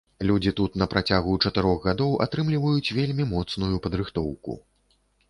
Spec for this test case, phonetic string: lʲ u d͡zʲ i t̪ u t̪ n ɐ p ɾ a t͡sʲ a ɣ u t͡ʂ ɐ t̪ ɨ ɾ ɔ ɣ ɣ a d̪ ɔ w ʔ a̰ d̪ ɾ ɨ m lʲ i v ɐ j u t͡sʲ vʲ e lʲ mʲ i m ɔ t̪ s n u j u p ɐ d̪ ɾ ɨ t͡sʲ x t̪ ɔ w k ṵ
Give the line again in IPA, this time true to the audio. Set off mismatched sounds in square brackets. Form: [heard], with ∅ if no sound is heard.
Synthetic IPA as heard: lʲ u d͡zʲ i t̪ u t̪ n ɐ p ɾ a t͡sʲ a ɣ u t͡ʂ ɐ t̪ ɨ ɾ ɔ ɣ ɣ a d̪ ɔ w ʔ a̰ [t̪] ɾ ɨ m lʲ i v ɐ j u t͡sʲ vʲ e lʲ mʲ i m ɔ t̪ s n u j u p ɐ d̪ ɾ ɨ [∅] x t̪ ɔ w k ṵ